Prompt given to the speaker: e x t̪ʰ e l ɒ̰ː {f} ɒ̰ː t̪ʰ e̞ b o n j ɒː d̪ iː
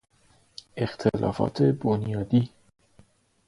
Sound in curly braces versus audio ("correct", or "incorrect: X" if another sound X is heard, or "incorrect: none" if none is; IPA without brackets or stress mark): correct